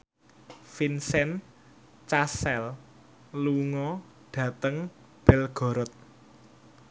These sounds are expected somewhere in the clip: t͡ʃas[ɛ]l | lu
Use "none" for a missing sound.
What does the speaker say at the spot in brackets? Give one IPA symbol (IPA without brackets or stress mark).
ɛ